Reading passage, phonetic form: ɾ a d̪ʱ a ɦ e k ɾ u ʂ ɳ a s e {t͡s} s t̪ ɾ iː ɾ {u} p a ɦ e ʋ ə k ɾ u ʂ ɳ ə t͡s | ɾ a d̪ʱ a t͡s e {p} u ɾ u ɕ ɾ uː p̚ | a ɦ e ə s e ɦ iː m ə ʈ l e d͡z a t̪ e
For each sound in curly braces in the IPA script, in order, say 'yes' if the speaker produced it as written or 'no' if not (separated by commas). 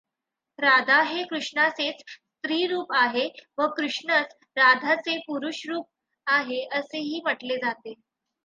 yes, no, yes